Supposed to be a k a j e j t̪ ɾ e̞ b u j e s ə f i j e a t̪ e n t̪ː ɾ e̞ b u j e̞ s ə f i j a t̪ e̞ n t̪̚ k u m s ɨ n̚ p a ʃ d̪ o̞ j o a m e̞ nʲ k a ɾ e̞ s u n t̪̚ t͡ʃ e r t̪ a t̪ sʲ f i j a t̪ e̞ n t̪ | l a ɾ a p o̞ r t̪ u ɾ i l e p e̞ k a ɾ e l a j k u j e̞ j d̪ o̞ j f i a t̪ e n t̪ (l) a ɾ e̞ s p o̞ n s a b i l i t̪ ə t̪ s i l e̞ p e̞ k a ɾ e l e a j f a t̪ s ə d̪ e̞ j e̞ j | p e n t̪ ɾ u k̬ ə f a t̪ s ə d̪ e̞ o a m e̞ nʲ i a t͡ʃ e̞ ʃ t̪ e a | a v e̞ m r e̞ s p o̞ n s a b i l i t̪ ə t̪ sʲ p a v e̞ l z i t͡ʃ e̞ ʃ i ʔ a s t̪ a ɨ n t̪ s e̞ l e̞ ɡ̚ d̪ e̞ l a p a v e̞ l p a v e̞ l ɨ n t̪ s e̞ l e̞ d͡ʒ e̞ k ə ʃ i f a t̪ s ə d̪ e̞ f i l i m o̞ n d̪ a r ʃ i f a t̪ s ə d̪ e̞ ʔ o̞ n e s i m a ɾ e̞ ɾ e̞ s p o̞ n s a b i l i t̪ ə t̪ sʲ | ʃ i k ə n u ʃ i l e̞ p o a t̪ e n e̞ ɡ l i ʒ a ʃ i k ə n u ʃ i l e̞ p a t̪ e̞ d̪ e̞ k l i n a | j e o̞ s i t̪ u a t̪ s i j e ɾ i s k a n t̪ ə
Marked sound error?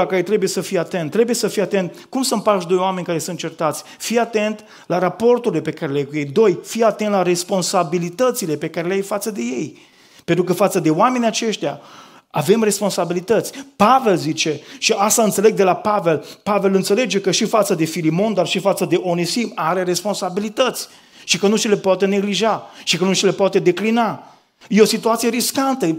no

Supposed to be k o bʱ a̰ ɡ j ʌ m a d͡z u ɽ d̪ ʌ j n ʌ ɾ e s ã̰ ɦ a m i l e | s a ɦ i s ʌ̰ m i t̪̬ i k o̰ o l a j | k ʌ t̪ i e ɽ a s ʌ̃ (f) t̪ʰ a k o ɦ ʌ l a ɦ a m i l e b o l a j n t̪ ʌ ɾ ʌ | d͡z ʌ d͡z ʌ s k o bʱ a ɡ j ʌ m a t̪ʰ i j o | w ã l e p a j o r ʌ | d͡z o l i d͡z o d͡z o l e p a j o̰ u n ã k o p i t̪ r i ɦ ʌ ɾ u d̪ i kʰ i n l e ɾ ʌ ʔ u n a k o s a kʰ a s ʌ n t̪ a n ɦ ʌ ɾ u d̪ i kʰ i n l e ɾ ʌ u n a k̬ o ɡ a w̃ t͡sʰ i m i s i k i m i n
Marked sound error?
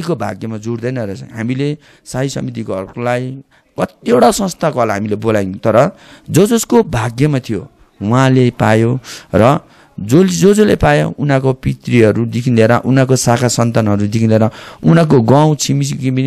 yes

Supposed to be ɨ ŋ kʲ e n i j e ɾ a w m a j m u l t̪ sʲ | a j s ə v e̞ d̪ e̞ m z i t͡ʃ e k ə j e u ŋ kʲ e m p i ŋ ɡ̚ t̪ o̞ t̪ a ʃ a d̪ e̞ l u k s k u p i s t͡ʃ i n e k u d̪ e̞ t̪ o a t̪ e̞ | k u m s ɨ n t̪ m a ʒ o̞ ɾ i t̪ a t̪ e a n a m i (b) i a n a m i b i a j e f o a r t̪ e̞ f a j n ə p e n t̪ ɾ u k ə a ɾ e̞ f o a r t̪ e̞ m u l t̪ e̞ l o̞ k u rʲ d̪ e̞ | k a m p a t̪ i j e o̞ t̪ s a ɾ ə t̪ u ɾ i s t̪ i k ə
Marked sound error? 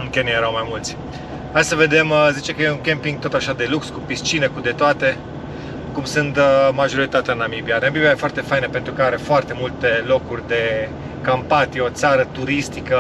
no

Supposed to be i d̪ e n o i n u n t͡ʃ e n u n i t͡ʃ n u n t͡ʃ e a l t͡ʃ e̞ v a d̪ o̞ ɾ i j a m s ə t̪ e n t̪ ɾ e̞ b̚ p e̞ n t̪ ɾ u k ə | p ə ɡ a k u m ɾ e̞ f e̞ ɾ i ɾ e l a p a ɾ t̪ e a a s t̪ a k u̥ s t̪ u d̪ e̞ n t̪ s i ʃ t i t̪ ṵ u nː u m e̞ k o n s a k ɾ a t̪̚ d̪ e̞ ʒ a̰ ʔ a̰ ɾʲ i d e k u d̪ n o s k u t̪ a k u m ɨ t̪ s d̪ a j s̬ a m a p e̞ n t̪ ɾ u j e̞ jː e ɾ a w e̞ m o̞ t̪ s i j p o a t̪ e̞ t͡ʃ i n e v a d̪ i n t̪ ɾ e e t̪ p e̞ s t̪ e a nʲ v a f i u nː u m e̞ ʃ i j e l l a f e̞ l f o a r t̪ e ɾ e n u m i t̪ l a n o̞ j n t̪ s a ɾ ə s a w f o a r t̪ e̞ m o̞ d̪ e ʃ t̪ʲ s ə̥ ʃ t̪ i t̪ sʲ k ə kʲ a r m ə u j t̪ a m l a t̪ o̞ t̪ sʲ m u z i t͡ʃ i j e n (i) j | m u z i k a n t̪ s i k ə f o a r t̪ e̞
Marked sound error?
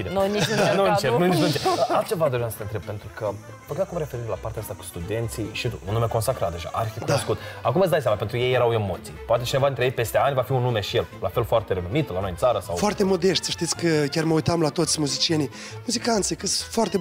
no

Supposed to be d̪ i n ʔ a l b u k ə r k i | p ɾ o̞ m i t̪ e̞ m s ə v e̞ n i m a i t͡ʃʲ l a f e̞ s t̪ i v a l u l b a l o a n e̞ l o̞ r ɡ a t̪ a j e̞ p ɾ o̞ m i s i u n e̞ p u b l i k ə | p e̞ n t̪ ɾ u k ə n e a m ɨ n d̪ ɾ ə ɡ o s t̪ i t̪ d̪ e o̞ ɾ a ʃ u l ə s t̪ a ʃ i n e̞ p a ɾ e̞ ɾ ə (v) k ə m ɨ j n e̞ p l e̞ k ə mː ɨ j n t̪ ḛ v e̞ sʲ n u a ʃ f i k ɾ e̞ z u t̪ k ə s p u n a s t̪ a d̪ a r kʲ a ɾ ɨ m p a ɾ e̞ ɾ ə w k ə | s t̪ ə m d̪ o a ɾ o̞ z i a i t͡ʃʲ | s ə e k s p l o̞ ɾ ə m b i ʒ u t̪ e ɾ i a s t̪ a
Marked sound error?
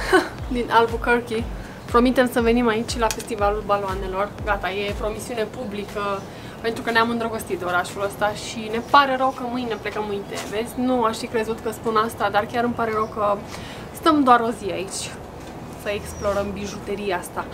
yes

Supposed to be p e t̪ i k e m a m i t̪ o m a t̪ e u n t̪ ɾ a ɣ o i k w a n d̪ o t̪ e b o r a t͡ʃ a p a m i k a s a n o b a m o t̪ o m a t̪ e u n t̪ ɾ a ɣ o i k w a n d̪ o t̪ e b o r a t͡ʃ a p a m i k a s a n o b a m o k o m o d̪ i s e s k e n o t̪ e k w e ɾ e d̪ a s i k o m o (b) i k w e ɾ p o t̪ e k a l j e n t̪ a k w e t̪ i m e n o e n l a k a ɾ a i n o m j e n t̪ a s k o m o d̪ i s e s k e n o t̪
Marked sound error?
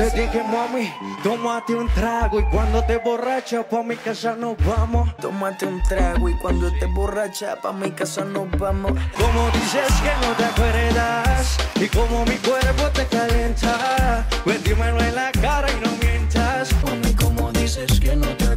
yes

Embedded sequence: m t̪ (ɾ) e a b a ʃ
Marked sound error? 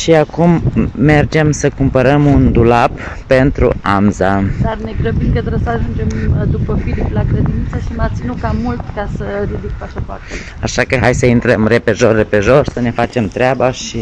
no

